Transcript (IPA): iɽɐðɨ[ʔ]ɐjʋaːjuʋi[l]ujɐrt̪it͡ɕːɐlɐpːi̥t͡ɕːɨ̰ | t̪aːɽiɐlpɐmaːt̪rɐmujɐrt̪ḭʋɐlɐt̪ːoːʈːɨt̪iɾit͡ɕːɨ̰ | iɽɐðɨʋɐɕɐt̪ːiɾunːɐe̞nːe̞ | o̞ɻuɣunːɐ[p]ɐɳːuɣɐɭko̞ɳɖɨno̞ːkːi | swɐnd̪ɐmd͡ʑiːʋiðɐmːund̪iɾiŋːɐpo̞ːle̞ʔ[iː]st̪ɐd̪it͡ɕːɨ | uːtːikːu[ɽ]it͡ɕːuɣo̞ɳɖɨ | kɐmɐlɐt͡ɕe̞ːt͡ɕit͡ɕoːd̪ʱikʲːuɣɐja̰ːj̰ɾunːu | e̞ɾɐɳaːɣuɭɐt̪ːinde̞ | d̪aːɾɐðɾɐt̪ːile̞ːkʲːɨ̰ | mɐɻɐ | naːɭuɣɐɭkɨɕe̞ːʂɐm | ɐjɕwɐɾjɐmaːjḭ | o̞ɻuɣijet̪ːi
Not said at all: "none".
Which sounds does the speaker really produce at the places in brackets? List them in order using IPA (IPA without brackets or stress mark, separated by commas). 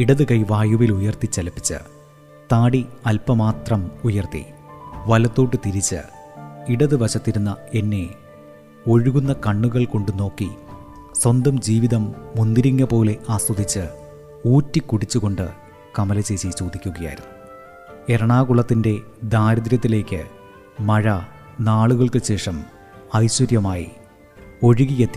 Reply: k, l, k, aː, ɽ